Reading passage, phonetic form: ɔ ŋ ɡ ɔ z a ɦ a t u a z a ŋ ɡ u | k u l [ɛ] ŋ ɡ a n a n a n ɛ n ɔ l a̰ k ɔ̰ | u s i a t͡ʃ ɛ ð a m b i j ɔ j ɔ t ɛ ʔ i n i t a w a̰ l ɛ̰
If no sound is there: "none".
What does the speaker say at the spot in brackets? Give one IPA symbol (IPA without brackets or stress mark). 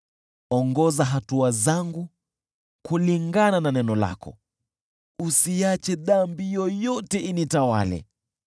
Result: i